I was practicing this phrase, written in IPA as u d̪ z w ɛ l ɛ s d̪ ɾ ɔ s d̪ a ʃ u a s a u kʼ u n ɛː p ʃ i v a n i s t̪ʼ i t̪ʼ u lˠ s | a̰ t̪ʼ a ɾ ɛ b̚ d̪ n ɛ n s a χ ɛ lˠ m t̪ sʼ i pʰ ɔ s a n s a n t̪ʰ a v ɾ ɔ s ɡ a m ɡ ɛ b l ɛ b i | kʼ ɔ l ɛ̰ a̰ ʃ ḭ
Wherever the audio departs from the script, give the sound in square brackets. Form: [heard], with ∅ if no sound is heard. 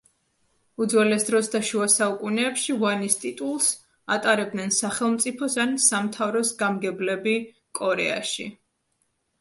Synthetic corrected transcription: u d̪ z w ɛ l ɛ s d̪ ɾ ɔ s d̪ a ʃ u a s a u kʼ u n ɛː p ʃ i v a n i s t̪ʼ i t̪ʼ u lˠ s | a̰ t̪ʼ a ɾ ɛ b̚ d̪ n ɛ n s a χ ɛ lˠ m t̪ sʼ i pʰ ɔ s a n s a [m] t̪ʰ a v ɾ ɔ s ɡ a m ɡ ɛ b l ɛ b i | kʼ ɔ [ɾ] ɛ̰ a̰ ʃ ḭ